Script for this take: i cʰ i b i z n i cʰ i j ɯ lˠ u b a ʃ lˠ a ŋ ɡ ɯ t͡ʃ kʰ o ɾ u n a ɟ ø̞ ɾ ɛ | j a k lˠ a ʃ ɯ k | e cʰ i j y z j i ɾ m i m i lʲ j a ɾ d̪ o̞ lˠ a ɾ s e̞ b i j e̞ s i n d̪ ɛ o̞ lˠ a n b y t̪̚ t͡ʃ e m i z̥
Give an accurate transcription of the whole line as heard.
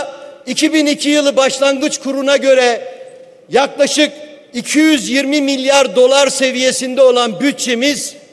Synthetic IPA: i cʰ i b i n i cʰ i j ɯ lˠ ɯ b a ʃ lˠ a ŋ ɡ ɯ t͡ʃ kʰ u ɾ u n a ɟ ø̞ ɾ ɛ | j a k lˠ a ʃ ɯ k | i cʰ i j y z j i ɾ m i m i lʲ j a ɾ d̪ o̞ lˠ a ɾ s e̞ v i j e̞ s i n d̪ ɛ o̞ lˠ a n b y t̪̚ t͡ʃ e m i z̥